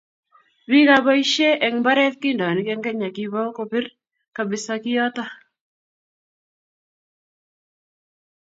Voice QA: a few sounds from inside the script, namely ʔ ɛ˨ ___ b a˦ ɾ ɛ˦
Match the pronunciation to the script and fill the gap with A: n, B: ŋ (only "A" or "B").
B